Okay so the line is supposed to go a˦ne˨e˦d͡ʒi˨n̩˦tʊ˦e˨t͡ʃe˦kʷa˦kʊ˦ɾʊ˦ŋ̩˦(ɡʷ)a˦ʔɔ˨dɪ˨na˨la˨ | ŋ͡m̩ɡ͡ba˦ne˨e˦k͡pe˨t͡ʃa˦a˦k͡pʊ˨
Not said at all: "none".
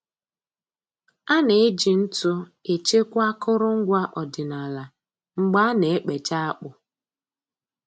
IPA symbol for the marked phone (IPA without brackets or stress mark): ɡʷ